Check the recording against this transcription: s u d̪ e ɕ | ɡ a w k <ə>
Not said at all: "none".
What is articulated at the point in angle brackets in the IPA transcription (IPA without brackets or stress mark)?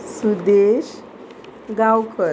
ə